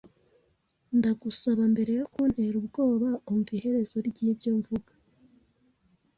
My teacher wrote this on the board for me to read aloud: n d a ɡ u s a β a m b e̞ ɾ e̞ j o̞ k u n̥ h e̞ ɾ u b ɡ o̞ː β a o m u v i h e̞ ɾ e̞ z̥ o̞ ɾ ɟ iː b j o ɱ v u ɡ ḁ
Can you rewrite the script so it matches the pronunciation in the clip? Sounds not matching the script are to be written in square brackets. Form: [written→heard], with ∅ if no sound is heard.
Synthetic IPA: n d a ɡ u s a β a m b e̞ ɾ e̞ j o̞ k u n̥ h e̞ ɾ u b ɡ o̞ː β a o m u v i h e̞ ɾ e̞ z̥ o̞ ɾ ɟ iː b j o ɱ v u ɡ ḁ

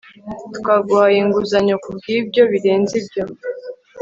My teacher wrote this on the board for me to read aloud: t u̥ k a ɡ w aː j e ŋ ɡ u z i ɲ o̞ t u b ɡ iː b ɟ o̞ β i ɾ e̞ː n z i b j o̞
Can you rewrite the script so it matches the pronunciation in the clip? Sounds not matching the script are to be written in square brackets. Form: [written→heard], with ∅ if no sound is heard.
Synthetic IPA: t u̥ k a ɡ w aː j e ŋ ɡ u z [i→a] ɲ o̞ [t→k] u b ɡ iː b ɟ o̞ β i ɾ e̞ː n z i b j o̞

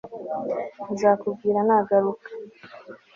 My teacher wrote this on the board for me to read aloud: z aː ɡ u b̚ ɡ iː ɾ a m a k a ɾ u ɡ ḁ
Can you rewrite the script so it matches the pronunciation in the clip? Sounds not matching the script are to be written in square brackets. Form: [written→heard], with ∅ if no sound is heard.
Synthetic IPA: z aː [ɡ→k] u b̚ ɡ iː ɾ a [m→n] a [k→ɡ] a ɾ u [ɡ→k] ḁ

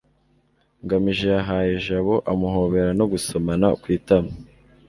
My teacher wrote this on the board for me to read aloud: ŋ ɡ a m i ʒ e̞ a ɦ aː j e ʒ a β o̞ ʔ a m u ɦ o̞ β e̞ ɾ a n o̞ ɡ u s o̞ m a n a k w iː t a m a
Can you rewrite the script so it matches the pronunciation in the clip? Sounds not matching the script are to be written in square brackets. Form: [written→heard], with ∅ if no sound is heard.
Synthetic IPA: ŋ ɡ a m i ʒ e̞ a ɦ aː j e ʒ a β o̞ ʔ a m u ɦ o̞ β e̞ ɾ a n o̞ ɡ u s o̞ m a n a k w iː t a m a

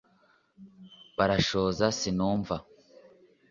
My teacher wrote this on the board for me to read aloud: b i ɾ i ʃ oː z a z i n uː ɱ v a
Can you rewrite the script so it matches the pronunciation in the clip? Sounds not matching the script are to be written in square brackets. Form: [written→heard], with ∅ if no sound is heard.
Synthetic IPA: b [i→a] ɾ [i→a] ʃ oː z a [z→s] i n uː ɱ v a

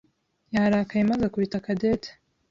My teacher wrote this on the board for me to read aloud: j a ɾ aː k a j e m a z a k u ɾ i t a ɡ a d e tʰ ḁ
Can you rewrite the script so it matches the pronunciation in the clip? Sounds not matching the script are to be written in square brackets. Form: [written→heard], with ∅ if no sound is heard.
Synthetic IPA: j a ɾ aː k a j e m a z a k u ɾ i t a [ɡ→k] a d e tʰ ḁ

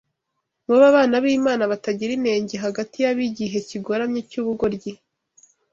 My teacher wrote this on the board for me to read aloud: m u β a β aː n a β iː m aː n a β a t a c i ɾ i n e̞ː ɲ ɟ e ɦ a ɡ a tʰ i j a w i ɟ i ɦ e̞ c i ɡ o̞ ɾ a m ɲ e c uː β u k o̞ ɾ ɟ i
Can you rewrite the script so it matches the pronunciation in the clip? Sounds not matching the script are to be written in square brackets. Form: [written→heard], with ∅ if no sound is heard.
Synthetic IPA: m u β a β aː n a β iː m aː n a β a t a [c→ɟ] i ɾ i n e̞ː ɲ ɟ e ɦ a ɡ a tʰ i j a [w→β] i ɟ i ɦ e̞ c i ɡ o̞ ɾ a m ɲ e c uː β u [k→ɡ] o̞ ɾ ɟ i

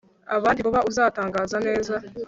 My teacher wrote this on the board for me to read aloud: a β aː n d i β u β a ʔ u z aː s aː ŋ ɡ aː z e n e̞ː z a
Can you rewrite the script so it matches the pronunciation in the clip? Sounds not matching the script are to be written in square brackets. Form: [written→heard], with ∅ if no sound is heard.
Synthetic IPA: a β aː n d i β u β a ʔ u z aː [s→t] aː ŋ ɡ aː z [e→a] n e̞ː z a

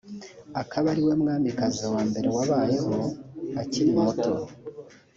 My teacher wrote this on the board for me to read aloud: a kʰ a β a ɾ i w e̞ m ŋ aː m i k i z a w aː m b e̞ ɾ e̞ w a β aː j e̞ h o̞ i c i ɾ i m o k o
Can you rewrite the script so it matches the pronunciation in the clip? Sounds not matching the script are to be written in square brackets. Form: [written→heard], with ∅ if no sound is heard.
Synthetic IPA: a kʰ a β a ɾ i w e̞ m ŋ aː m i k [i→a] z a w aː m b e̞ ɾ e̞ w a β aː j e̞ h o̞ [i→a] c i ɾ i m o [k→t] o

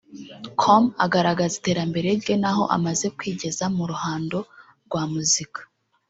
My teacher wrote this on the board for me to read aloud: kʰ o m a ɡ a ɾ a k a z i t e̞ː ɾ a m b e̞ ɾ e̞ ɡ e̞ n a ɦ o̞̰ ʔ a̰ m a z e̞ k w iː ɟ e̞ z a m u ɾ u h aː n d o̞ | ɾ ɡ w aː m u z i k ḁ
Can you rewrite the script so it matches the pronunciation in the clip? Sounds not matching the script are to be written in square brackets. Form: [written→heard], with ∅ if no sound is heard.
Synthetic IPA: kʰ o m a ɡ a ɾ a [k→ɡ] a z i t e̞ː ɾ a m b e̞ ɾ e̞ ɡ e̞ n a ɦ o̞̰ ʔ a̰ m a z e̞ k w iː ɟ e̞ z a m u ɾ u h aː n d o̞ | ɾ ɡ w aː m u z i k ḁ

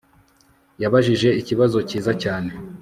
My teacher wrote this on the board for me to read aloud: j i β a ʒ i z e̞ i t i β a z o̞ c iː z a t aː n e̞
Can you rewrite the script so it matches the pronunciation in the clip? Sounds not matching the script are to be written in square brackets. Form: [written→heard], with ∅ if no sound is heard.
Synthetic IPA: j [i→a] β a ʒ i [z→ʒ] e̞ i [t→c] i β a z o̞ c iː z a [t→c] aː n e̞

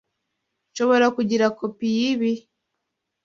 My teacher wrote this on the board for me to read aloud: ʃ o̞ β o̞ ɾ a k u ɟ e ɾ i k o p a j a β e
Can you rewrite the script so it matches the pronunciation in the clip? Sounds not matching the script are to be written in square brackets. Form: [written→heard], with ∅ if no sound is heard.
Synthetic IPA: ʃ o̞ β o̞ ɾ a k u ɟ [e→i] ɾ [i→a] k o p [a→i] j [a→i] β [e→i]

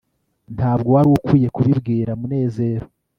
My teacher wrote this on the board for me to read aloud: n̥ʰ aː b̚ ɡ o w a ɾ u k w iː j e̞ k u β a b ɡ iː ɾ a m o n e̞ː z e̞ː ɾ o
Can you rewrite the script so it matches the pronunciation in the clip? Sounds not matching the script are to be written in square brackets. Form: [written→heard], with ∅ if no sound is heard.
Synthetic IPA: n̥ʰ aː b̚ ɡ o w a ɾ u k w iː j e̞ k u β [a→i] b ɡ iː ɾ a m [o→u] n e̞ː z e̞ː ɾ o

